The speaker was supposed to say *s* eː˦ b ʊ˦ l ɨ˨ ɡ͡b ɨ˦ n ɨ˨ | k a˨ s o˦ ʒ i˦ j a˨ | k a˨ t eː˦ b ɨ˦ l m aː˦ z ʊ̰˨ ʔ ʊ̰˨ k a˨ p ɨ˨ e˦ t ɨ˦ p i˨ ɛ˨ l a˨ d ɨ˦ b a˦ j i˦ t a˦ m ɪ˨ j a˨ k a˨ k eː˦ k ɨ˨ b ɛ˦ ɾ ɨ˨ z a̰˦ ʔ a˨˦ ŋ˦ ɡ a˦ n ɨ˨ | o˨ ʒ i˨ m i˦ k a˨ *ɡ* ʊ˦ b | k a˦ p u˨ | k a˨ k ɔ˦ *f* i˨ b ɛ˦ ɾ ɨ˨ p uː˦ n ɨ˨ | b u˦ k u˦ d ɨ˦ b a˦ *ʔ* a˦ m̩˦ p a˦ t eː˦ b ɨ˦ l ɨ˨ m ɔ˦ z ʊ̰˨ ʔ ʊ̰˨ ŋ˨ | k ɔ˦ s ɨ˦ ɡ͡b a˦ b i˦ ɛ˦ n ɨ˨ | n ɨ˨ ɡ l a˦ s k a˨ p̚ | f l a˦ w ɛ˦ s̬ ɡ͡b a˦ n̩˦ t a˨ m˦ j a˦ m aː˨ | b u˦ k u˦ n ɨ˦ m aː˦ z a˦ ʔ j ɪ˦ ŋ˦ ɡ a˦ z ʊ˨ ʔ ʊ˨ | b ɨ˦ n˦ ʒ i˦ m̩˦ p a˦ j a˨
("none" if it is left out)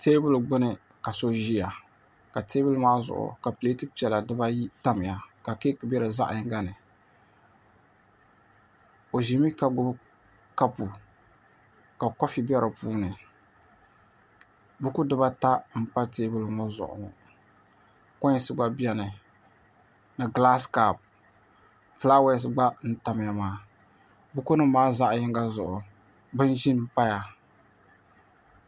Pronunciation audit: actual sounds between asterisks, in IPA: t, ɡ, f, t

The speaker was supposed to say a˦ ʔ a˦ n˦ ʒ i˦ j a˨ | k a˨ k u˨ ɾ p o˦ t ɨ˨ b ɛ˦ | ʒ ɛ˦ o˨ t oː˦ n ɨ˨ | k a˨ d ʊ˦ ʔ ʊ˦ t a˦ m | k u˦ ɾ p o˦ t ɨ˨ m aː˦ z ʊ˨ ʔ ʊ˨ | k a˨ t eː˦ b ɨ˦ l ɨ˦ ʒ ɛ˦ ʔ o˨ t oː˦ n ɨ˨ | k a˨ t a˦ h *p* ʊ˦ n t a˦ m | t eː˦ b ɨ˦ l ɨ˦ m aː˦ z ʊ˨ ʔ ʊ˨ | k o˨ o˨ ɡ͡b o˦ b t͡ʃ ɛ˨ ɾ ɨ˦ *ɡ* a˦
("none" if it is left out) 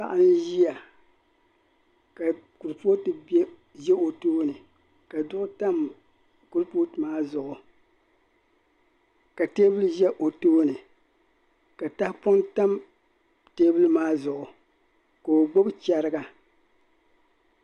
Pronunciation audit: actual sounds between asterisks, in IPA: p, ɡ

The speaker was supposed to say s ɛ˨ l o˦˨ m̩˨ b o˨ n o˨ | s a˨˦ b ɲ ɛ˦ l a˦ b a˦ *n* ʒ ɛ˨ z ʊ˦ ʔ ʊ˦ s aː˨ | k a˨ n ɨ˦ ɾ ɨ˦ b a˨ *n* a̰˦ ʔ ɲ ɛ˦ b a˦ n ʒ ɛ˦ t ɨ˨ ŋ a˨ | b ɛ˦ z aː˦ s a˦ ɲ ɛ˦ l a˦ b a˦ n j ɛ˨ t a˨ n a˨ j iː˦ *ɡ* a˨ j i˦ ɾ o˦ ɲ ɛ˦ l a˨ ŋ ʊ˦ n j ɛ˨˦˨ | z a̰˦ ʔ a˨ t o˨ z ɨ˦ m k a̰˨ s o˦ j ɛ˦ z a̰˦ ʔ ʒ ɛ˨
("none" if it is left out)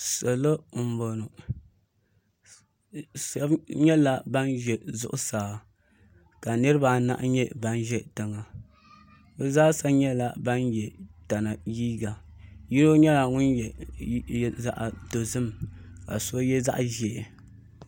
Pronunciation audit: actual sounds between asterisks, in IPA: n, n, ɡ

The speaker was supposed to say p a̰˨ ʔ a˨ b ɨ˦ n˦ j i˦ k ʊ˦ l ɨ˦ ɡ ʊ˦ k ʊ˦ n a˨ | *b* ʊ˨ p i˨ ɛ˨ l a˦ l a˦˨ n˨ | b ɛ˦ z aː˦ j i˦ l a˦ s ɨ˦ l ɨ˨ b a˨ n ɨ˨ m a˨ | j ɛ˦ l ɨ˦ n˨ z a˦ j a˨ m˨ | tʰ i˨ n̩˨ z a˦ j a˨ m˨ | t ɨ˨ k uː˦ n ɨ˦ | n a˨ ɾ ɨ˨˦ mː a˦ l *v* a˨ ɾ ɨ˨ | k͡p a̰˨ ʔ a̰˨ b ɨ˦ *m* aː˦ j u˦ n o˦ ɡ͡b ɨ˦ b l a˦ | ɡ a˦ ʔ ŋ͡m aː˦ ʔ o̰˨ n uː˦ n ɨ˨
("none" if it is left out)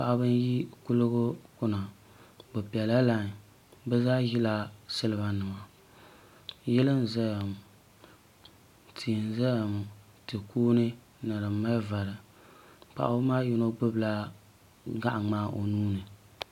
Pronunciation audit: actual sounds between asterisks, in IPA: b, v, m

